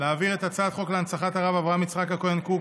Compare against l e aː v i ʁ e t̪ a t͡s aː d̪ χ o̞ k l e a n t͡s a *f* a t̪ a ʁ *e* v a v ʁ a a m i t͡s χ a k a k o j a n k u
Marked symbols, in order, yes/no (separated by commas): no, no